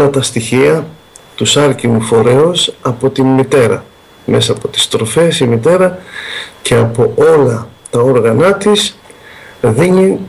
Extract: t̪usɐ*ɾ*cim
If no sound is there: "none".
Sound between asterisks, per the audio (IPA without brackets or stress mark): ɾ